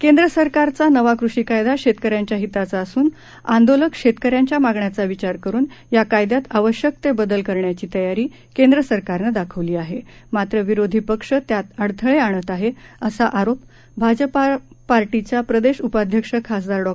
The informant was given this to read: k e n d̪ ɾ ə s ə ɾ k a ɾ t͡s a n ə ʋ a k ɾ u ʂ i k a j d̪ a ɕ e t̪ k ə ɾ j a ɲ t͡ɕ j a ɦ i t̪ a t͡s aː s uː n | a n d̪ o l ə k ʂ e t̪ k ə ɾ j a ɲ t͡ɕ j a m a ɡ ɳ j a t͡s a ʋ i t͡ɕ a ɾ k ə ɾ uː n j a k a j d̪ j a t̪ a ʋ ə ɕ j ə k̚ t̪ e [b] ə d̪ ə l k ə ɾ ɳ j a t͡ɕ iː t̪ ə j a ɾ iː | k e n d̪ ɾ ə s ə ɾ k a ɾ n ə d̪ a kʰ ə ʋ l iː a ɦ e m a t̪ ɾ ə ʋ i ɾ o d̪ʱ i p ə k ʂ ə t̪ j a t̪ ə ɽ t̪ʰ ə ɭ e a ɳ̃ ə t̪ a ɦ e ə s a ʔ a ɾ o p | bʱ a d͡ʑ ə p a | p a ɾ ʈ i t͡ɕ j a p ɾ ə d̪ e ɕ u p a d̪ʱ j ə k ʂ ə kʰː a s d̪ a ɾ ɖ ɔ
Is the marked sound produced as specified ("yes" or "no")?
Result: yes